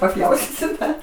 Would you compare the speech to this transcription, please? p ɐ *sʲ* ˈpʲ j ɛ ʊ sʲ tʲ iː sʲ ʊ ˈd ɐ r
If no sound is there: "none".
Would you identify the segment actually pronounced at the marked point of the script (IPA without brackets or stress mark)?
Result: none